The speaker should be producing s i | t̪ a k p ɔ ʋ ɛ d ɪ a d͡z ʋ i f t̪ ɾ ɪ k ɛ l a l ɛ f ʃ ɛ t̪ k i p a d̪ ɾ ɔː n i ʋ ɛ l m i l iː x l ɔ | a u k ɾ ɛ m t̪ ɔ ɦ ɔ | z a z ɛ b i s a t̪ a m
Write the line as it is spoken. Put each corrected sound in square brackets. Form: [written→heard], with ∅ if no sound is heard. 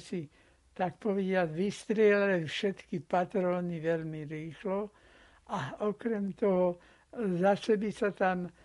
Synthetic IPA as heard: s i | t̪ a k p ɔ ʋ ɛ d ɪ a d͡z ʋ i [f→s] t̪ ɾ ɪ [k→∅] ɛ l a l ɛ f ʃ ɛ t̪ k i p a [d̪→t̪] ɾ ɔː n i ʋ ɛ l m i [l→ɾ] iː x l ɔ | a [u→ɔ] k ɾ ɛ m t̪ ɔ ɦ ɔ | z a [z→s] ɛ b i s a t̪ a m